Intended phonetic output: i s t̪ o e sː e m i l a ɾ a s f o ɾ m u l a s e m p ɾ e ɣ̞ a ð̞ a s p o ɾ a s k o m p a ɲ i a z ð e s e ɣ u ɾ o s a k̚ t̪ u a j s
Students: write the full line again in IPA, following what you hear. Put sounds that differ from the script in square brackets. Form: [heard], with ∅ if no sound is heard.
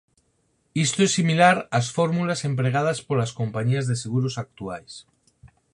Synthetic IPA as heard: i s t̪ o e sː [i] m i l a ɾ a s f o ɾ m u l a s e m p ɾ e ɣ̞ a ð̞ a s p o [l] a s k o m p a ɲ i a z ð e s e ɣ u ɾ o s a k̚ t̪ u a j s